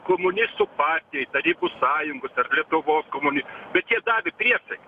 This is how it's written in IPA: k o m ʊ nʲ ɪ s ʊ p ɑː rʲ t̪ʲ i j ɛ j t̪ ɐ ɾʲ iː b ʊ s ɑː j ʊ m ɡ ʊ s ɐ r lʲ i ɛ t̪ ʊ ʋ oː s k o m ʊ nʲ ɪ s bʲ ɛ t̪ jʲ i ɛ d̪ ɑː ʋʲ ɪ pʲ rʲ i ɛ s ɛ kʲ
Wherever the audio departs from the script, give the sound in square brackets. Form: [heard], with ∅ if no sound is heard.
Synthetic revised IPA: k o m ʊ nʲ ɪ s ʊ p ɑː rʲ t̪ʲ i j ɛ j t̪ ɐ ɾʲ iː b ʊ s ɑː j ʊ [ŋ] ɡ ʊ s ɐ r lʲ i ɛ t̪ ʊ ʋ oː s k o m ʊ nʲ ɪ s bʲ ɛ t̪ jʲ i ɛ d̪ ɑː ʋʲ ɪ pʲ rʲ i ɛ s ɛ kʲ